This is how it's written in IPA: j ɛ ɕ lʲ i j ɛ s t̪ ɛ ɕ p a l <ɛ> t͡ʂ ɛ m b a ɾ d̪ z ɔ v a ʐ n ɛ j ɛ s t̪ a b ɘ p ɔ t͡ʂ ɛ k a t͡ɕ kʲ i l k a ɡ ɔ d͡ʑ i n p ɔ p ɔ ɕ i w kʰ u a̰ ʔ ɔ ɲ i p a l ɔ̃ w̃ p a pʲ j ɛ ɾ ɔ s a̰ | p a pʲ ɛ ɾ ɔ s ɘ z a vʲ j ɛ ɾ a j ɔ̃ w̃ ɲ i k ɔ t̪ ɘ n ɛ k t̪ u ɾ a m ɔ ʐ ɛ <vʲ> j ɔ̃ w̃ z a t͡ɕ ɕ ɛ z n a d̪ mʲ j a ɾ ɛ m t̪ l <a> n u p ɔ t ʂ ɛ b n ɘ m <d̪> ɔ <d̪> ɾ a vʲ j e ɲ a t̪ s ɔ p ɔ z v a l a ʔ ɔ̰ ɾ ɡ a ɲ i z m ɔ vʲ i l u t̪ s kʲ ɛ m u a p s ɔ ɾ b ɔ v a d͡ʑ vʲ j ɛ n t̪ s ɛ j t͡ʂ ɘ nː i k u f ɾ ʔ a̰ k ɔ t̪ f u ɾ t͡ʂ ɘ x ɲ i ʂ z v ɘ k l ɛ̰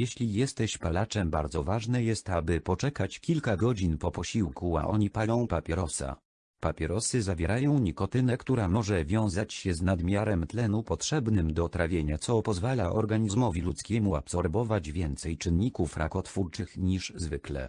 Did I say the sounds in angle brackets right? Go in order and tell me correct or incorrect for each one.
incorrect: a, correct, incorrect: ɛ, correct, incorrect: t̪

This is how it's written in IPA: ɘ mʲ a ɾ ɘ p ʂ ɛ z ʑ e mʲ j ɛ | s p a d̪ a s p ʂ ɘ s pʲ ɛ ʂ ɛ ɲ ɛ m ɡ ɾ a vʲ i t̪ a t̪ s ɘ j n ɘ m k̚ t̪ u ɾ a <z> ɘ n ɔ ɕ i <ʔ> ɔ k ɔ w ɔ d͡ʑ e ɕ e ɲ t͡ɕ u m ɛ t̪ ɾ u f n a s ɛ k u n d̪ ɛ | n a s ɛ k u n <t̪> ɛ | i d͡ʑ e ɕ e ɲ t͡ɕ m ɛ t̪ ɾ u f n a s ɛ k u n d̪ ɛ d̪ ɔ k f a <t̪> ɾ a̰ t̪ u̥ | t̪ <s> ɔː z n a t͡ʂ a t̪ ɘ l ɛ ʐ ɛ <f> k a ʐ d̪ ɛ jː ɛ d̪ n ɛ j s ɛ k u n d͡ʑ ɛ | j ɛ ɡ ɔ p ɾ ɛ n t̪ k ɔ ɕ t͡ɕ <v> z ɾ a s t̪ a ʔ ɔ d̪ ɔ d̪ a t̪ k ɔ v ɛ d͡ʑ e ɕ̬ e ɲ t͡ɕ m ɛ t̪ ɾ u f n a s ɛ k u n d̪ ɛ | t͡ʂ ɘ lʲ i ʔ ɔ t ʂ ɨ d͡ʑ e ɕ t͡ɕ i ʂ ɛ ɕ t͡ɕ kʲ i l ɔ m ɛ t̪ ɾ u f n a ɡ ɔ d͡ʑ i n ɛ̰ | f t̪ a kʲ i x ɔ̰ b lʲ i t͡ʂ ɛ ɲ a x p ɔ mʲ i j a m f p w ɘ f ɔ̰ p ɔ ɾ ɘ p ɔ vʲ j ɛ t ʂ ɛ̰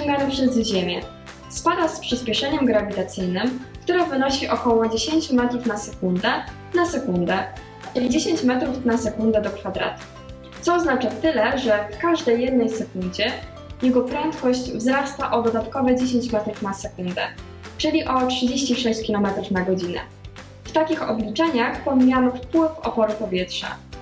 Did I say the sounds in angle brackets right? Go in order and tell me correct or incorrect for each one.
incorrect: v, correct, incorrect: d̪, incorrect: d̪, correct, correct, correct

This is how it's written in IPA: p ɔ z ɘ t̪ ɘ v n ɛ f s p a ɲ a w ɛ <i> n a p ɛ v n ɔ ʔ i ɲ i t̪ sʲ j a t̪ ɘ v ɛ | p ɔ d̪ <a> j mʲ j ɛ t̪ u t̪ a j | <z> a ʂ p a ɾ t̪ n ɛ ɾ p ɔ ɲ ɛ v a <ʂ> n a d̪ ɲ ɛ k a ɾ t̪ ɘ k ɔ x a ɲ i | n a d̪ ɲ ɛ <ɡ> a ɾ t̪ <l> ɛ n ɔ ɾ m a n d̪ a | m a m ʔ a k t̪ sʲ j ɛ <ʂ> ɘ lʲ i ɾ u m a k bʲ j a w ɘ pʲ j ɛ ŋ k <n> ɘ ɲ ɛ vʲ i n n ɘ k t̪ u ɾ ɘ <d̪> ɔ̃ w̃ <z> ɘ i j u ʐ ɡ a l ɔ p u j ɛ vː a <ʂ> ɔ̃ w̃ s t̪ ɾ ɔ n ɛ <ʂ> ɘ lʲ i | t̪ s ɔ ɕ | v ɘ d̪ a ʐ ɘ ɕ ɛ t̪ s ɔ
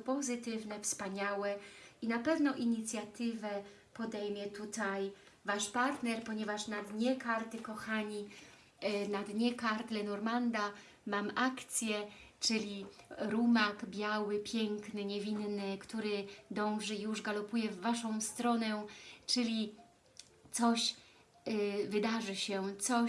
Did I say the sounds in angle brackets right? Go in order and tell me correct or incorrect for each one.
correct, incorrect: ɛ, incorrect: v, correct, incorrect: k, correct, incorrect: t͡ʂ, correct, correct, incorrect: ʐ, correct, incorrect: t͡ʂ

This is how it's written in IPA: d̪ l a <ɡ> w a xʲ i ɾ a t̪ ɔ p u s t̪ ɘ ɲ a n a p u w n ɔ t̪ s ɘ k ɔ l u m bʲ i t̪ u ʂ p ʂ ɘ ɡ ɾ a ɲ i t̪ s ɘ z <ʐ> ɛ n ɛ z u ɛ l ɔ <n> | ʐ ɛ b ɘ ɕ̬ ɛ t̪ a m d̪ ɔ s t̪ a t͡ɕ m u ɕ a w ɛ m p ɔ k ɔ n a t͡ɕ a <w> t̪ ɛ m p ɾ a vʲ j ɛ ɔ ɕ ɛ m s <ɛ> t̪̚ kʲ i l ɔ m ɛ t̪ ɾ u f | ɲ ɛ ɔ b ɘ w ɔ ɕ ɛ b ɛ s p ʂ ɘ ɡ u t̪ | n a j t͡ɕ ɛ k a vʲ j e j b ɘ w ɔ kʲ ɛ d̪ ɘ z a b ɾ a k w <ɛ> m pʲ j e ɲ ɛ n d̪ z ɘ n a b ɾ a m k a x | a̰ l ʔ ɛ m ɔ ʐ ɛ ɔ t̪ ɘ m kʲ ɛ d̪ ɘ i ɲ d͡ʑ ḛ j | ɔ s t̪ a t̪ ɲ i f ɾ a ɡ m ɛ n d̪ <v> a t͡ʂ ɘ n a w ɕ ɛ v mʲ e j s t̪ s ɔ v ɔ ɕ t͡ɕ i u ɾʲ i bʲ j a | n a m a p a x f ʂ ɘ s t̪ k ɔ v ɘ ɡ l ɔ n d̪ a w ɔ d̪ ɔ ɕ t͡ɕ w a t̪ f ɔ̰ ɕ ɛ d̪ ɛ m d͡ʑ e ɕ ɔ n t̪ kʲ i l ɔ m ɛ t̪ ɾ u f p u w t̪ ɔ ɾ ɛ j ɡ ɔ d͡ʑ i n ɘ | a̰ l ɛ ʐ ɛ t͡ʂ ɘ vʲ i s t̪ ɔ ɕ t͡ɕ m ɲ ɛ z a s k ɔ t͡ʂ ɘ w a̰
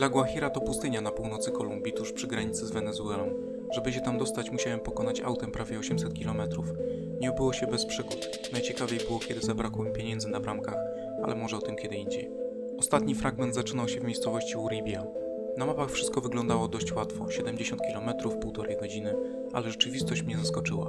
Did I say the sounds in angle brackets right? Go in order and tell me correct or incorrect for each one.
correct, incorrect: v, incorrect: m, correct, correct, correct, incorrect: z

